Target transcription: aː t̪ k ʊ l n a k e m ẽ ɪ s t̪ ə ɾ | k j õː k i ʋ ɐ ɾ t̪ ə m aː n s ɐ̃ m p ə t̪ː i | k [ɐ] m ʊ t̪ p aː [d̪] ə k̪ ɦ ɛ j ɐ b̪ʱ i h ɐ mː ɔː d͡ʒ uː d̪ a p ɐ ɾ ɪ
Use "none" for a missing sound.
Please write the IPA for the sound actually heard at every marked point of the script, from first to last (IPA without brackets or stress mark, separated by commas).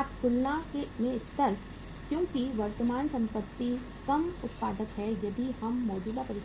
ɐ, d̪